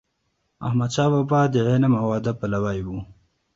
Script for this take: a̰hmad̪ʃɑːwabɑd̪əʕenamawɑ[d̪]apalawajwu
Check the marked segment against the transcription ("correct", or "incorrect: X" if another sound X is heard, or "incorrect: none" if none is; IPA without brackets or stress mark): correct